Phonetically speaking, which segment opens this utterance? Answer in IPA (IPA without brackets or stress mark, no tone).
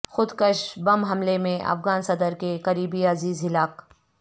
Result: x